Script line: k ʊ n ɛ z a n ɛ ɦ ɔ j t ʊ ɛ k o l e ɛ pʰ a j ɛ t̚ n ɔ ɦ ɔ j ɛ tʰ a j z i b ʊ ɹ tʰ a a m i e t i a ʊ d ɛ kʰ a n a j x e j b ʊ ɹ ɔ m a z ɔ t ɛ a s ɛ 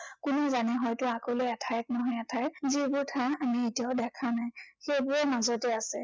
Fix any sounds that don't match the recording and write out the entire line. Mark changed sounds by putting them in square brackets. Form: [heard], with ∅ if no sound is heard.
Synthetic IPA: k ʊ n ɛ z a n ɛ ɦ ɔ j t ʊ [a] k o l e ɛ [tʰ] a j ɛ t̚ n ɔ ɦ ɔ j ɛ tʰ a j z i b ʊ ɹ tʰ a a m i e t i a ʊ d ɛ kʰ a n a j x e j b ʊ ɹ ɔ m a z ɔ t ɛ a s ɛ